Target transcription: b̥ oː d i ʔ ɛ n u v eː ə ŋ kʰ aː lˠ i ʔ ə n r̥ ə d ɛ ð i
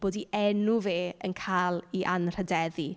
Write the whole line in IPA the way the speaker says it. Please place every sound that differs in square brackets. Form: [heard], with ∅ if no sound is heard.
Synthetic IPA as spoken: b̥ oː d i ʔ ɛ n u v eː ə [n] kʰ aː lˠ i ʔ [a] n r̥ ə d ɛ ð i